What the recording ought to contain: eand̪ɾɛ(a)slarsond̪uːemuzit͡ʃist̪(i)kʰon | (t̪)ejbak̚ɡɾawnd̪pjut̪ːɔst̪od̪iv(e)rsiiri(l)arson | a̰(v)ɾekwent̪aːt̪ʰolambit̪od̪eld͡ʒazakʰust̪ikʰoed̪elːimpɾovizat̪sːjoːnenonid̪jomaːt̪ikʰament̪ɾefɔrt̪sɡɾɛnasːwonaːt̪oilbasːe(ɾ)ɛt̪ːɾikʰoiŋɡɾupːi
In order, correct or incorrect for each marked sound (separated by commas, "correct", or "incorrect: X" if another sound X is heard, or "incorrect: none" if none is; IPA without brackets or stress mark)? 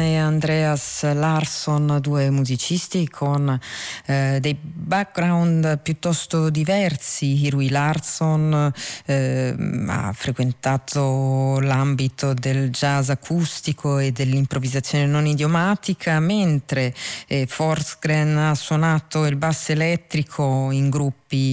correct, correct, incorrect: d̪, incorrect: ɛ, correct, incorrect: f, incorrect: l